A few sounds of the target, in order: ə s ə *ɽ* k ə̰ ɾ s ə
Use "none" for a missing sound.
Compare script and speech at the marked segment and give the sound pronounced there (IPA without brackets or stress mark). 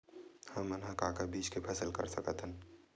l